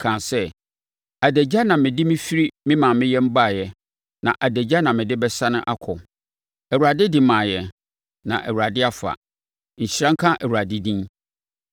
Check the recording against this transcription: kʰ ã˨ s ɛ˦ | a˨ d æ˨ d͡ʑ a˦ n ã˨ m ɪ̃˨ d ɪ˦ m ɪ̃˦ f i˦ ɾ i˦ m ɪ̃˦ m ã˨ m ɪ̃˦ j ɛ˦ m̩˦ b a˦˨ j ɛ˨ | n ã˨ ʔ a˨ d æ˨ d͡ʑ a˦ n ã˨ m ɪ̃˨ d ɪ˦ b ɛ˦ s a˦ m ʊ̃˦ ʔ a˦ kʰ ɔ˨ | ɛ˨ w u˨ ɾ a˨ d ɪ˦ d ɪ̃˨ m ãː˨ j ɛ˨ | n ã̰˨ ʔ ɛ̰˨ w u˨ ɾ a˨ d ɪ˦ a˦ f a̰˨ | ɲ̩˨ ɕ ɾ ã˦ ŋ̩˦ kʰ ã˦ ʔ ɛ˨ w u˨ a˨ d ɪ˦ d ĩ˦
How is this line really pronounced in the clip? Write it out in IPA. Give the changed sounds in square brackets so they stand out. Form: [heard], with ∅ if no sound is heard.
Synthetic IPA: kʰ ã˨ s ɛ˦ | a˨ d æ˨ d͡ʑ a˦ n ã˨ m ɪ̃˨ d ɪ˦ m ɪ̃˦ f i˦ ɾ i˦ m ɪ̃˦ m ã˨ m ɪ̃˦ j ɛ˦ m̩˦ b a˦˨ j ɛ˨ | n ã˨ ʔ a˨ d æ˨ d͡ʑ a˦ n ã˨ m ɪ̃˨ d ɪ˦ b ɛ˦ s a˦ [n] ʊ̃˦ ʔ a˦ kʰ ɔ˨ | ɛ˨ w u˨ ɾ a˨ d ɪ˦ d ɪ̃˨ m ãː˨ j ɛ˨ | n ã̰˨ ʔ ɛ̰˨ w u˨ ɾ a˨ d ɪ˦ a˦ f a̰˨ | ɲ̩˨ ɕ ɾ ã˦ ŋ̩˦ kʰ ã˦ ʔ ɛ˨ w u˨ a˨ d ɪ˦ d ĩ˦